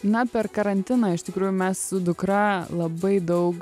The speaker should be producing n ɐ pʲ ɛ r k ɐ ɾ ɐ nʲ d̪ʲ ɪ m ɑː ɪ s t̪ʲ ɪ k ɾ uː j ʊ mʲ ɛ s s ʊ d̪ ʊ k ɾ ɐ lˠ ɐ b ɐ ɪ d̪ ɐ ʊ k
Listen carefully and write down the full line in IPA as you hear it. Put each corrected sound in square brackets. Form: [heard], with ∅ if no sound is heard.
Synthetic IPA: n ɐ pʲ ɛ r k ɐ ɾ ɐ nʲ [t̪ʲ] ɪ [n] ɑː ɪ [ʃ] t̪ʲ ɪ k ɾ uː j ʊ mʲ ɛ s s ʊ d̪ ʊ k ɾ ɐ lˠ ɐ b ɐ ɪ d̪ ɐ ʊ k

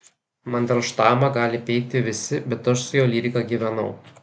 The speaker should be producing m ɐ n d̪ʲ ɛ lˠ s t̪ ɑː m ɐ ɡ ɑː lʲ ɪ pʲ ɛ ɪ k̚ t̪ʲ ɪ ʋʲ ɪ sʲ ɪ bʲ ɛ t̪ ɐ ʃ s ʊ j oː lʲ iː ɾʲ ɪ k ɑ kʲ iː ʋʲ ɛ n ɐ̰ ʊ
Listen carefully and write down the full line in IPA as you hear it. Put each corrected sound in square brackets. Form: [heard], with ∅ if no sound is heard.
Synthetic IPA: m ɐ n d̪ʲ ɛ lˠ [ʃ] t̪ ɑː m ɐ ɡ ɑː lʲ ɪ pʲ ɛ ɪ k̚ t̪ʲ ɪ ʋʲ ɪ sʲ ɪ bʲ ɛ t̪ ɐ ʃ s ʊ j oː lʲ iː ɾʲ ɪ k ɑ [ɡʲ] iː ʋʲ ɛ n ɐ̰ ʊ

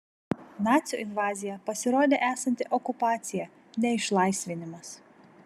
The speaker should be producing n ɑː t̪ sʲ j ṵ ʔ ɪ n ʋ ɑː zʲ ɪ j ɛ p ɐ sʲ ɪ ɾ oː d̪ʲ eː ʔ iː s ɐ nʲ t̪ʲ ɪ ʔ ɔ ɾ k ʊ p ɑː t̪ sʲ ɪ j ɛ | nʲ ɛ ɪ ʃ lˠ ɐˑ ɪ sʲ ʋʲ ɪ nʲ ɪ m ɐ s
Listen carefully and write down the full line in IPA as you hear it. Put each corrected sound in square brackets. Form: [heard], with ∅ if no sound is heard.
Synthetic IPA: n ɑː t̪ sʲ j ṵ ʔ ɪ n ʋ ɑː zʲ ɪ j ɛ p ɐ sʲ ɪ ɾ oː d̪ʲ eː ʔ [æː] s ɐ nʲ t̪ʲ ɪ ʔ ɔ [∅] k ʊ p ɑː t̪ sʲ ɪ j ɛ | nʲ ɛ ɪ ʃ lˠ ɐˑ ɪ sʲ ʋʲ ɪ nʲ ɪ m ɐ s

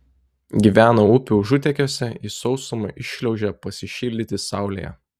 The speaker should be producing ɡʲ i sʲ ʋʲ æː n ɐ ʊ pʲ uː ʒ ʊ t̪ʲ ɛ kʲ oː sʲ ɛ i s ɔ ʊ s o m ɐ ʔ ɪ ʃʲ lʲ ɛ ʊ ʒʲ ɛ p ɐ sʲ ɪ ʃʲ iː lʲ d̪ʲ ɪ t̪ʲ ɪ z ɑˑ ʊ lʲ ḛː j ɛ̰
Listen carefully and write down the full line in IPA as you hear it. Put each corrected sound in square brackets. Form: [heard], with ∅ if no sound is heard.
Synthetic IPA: ɡʲ i [∅] ʋʲ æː n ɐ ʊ pʲ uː ʒ ʊ t̪ʲ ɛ kʲ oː sʲ ɛ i s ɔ ʊ s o m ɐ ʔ ɪ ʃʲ lʲ ɛ ʊ ʒʲ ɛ p ɐ sʲ ɪ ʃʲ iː lʲ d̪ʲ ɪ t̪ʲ ɪ [s] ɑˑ ʊ lʲ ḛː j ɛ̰

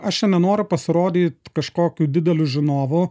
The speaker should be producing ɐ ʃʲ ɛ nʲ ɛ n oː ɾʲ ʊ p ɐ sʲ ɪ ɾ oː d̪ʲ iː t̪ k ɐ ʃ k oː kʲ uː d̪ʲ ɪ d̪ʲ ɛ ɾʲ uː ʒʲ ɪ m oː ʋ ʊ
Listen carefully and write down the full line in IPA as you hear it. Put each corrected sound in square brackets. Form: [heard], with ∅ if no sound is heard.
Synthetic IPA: ɐ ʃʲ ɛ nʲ ɛ n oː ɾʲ ʊ p ɐ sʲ ɪ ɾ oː d̪ʲ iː t̪ k ɐ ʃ k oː kʲ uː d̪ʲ ɪ d̪ʲ ɛ [lʲ] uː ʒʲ ɪ [n] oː ʋ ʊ

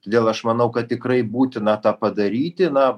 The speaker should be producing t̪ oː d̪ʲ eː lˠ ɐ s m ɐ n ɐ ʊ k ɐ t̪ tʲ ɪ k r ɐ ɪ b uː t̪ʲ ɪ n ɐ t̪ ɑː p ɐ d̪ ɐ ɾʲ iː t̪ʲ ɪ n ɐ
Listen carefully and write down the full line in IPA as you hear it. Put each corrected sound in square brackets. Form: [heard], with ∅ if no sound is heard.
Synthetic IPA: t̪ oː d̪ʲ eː lˠ ɐ [ʃ] m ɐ n ɐ ʊ k ɐ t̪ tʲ ɪ k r ɐ ɪ b uː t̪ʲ ɪ n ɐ t̪ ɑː p ɐ d̪ ɐ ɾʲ iː t̪ʲ ɪ n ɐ

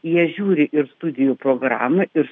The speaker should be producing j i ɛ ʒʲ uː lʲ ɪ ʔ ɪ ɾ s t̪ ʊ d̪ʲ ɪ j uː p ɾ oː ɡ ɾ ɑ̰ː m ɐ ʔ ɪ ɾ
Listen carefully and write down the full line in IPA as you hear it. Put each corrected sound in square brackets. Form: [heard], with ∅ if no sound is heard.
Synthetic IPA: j i ɛ ʒʲ uː [ɾʲ] ɪ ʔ ɪ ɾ s t̪ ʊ d̪ʲ ɪ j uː p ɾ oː ɡ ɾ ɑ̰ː m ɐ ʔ ɪ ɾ

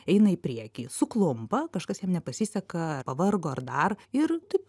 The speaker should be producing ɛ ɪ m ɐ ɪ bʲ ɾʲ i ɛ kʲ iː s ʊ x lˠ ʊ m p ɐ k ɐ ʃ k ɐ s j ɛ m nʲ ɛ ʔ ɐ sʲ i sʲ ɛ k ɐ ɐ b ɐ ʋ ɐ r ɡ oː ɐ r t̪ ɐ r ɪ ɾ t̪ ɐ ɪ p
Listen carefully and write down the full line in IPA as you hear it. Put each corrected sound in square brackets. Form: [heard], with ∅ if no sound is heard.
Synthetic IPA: ɛ ɪ [n] ɐ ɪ [pʲ] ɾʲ i ɛ kʲ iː s ʊ [k] lˠ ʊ m p ɐ k ɐ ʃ k ɐ s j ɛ m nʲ ɛ [p] ɐ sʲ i sʲ ɛ k ɐ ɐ [p] ɐ ʋ ɐ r ɡ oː ɐ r [d̪] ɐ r ɪ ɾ t̪ ɐ ɪ p

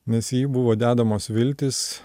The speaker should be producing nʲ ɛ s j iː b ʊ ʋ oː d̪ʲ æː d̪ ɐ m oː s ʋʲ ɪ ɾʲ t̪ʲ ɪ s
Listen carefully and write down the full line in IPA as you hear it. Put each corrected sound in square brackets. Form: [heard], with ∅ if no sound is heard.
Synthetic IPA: nʲ ɛ s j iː b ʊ ʋ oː d̪ʲ æː d̪ ɐ m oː s ʋʲ ɪ [lʲ] t̪ʲ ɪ s

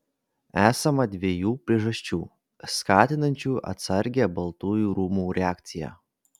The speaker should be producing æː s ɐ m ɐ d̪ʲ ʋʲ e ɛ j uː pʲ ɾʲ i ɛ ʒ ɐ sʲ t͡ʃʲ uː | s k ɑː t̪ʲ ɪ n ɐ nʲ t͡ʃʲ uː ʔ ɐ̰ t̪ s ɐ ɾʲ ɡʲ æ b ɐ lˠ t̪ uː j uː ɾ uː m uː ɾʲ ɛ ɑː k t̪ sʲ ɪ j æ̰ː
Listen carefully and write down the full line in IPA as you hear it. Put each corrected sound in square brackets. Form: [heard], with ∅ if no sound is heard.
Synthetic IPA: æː s ɐ m ɐ d̪ʲ ʋʲ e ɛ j uː pʲ ɾʲ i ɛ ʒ ɐ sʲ t͡ʃʲ uː | s k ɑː t̪ʲ ɪ n ɐ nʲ t͡ʃʲ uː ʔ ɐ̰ t̪ s ɐ ɾʲ ɡʲ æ b ɐ lˠ t̪ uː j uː ɾ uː m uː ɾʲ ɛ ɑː k t̪ sʲ ɪ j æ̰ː

